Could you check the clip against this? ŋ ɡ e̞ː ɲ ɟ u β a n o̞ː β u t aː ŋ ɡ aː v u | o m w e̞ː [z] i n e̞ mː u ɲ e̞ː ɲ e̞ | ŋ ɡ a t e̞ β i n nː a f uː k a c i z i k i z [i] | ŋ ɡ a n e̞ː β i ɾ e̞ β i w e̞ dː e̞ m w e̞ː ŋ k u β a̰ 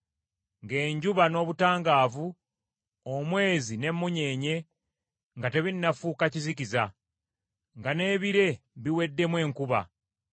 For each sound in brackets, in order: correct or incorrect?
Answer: correct, incorrect

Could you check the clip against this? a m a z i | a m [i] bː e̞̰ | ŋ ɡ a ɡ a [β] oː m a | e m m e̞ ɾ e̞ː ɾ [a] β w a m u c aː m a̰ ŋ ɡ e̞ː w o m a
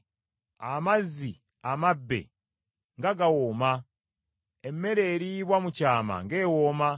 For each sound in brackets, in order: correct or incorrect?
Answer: incorrect, incorrect, incorrect

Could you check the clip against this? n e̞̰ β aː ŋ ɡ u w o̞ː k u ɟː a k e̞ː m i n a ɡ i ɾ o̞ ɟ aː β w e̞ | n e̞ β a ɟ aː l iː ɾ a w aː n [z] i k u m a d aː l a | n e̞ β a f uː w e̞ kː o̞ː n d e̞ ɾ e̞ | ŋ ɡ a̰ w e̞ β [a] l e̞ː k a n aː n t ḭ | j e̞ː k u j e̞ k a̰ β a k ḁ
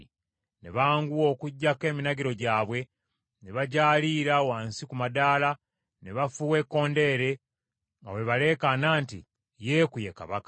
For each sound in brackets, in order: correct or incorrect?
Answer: incorrect, correct

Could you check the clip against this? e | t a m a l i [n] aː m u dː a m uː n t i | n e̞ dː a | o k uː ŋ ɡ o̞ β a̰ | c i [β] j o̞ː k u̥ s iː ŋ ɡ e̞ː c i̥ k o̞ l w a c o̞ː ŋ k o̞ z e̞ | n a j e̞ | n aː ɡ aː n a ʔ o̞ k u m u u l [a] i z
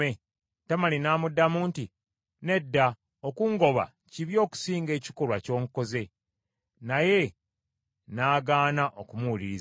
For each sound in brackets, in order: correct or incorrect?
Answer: correct, correct, incorrect

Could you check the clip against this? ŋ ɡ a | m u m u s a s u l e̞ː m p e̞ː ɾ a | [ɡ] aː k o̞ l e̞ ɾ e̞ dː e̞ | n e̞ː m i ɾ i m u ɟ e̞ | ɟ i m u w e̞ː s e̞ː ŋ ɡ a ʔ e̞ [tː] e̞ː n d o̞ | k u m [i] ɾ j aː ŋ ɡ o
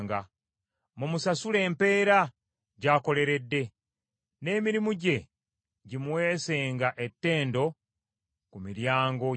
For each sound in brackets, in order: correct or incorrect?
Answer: incorrect, correct, correct

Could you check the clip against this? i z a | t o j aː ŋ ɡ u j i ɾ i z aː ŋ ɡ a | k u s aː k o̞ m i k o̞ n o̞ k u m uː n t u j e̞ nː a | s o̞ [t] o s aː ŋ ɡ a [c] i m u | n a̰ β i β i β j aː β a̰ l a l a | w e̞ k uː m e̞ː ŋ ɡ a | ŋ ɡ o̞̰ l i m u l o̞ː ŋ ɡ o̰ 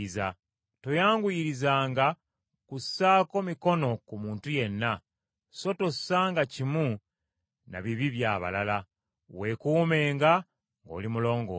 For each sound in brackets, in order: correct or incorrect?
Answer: correct, correct

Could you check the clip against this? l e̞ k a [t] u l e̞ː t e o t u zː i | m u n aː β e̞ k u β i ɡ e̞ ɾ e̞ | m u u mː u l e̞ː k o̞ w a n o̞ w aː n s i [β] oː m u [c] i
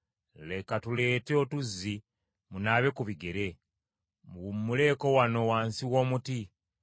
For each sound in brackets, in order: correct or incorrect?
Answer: correct, incorrect, incorrect

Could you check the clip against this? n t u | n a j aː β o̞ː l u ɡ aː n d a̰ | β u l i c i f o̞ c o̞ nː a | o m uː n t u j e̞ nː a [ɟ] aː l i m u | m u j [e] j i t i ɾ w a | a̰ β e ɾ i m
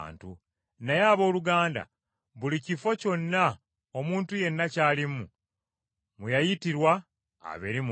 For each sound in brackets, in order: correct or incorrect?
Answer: incorrect, incorrect

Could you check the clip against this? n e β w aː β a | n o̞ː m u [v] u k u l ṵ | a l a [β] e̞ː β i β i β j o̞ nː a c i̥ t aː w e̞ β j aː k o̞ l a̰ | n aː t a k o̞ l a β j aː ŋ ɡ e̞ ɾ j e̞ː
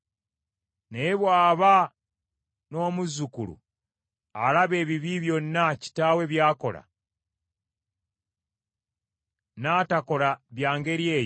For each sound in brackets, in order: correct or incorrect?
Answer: incorrect, correct

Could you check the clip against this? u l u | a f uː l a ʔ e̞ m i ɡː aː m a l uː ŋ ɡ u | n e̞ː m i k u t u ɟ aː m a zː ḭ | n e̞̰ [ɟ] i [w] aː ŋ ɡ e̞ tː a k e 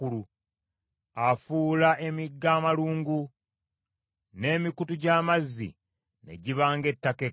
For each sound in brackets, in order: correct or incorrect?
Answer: correct, incorrect

